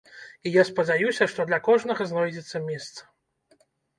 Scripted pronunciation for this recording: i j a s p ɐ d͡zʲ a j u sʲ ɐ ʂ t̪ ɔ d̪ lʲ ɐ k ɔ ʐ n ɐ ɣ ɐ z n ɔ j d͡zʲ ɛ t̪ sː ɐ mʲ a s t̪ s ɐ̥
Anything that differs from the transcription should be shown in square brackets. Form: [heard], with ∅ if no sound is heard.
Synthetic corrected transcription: i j a s p ɐ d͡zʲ a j u sʲ ɐ ʂ t̪ ɔ d̪ lʲ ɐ k ɔ ʐ n ɐ ɣ ɐ z n ɔ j d͡zʲ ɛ t̪ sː ɐ mʲ [ɛ] s t̪ s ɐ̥